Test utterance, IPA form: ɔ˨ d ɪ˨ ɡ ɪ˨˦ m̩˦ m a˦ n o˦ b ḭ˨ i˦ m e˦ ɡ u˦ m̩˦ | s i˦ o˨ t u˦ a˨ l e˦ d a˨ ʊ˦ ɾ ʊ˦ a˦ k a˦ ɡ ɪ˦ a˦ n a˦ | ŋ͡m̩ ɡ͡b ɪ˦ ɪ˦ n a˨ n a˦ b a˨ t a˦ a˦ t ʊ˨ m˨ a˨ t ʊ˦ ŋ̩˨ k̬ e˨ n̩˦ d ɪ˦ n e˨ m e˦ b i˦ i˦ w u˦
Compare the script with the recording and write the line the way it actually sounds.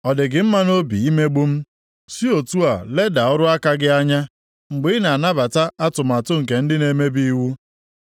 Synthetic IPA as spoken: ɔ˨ d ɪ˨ ɡ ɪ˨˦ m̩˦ m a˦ n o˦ b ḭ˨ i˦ m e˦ ɡ͡b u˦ m̩˦ | s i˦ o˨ t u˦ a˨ l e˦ d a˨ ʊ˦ ɾ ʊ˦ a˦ k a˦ ɡ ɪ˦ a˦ ɲ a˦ | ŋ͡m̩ ɡ͡b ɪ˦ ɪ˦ n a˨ n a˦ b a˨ t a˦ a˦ t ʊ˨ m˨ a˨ t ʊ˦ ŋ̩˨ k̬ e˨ n̩˦ d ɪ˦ n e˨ m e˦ b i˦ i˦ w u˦

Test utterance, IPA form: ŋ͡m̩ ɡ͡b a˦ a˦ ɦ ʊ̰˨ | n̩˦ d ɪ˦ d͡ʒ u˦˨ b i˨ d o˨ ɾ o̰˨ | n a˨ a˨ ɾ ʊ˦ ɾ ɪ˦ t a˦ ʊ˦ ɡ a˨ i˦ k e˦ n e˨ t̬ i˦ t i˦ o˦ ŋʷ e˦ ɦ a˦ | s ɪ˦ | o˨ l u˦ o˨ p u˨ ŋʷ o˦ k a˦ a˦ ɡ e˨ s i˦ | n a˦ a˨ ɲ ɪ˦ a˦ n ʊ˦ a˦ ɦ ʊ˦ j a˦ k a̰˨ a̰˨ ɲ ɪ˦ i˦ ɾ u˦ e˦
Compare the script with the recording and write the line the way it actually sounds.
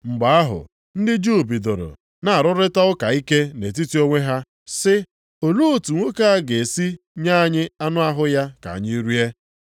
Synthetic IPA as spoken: ŋ͡m̩ ɡ͡b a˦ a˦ ɦ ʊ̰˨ | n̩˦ d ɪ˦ d͡ʒ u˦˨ b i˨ d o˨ ɾ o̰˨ | n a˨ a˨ ɾ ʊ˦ ɾ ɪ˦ t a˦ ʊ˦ k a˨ i˦ k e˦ n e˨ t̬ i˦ t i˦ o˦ ŋʷ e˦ ɦ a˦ | s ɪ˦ | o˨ l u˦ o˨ t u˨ ŋʷ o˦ k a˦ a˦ ɡ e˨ s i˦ | ɲ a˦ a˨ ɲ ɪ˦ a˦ n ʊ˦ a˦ ɦ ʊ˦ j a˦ k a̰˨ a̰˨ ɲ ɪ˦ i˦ ɾ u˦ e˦

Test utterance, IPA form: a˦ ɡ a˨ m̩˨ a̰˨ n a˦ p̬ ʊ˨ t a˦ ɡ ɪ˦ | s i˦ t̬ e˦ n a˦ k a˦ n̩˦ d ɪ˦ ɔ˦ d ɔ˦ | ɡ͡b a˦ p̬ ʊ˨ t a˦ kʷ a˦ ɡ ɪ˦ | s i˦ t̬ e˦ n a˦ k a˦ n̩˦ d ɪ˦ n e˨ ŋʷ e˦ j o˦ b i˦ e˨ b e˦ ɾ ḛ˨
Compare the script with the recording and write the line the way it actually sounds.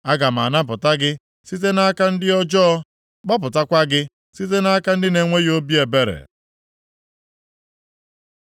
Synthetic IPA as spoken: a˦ ɡ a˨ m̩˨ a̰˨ n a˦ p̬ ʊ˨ t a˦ ɡ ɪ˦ | s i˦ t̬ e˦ n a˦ k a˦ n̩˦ d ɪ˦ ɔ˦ d͡ʒ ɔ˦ | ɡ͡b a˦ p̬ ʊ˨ t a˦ kʷ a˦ ɡ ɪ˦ | s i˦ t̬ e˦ n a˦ k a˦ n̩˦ d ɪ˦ n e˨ ŋʷ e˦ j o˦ b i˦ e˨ b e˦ ɾ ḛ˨

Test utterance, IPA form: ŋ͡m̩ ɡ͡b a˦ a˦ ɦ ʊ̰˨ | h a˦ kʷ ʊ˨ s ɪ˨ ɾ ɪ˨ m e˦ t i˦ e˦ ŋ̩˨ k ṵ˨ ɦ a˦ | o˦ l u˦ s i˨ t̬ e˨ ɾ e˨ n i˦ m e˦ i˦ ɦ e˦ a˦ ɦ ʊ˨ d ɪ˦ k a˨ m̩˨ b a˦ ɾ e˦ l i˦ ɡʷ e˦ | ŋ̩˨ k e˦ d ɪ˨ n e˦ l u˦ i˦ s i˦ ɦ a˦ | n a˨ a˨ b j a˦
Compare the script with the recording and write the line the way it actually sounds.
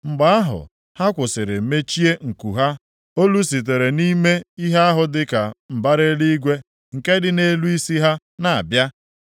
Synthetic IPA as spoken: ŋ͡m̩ ɡ͡b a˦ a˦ ɦ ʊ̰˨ | h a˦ kʷ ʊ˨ s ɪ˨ ɾ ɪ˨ m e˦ t͡ʃ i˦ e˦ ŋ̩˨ k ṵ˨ ɦ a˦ | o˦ l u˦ s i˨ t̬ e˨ ɾ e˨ n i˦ m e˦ i˦ ɦ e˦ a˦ ɦ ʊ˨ d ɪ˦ k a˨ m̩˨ b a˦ ɾ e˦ l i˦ ɡʷ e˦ | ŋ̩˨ k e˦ d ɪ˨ n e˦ l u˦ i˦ s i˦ ɦ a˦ | n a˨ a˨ b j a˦

